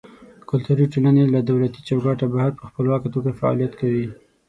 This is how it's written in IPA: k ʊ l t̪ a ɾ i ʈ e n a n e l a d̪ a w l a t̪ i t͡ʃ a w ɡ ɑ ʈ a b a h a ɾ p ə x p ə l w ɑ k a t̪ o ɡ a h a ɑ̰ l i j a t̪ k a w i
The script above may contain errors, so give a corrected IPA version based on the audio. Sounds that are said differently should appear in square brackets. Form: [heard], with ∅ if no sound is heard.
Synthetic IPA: k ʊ l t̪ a ɾ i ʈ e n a n e l a d̪ a w l a t̪ i t͡ʃ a w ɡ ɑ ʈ a b a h a ɾ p ə x p ə l w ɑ k a t̪ o ɡ a [f] a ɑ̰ l i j a t̪ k a w i